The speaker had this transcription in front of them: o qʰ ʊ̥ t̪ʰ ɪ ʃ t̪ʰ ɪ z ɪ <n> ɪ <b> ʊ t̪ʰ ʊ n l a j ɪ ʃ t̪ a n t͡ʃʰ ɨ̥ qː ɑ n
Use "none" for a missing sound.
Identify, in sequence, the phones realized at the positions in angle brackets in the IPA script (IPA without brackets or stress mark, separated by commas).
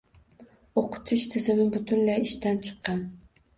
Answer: m, b